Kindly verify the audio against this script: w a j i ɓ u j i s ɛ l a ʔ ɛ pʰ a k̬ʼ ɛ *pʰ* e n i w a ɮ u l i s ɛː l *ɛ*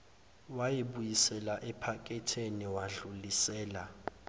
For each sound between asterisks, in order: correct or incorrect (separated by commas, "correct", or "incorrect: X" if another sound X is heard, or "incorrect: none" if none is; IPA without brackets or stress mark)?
incorrect: tʰ, incorrect: a